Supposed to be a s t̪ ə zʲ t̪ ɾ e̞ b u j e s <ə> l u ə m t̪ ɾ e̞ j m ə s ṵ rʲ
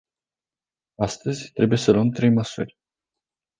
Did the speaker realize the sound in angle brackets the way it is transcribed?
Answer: yes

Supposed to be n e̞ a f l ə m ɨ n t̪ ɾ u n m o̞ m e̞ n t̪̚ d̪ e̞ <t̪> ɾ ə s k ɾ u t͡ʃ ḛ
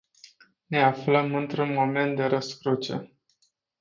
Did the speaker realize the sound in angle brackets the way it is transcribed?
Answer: no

